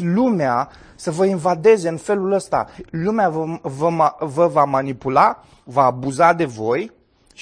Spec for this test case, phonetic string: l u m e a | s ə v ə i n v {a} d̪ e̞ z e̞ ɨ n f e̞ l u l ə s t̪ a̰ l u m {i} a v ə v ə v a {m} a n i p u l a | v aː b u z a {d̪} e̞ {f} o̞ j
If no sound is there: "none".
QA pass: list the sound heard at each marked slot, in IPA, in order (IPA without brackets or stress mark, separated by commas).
a, e, m, d̪, v